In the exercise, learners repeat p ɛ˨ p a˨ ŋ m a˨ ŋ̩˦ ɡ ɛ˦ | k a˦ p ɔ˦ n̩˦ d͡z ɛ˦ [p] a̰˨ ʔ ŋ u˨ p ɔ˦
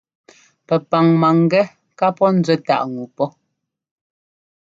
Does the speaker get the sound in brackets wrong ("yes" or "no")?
yes